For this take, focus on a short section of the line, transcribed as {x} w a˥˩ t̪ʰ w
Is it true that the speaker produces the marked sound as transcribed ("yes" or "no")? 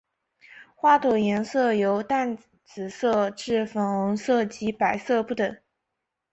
yes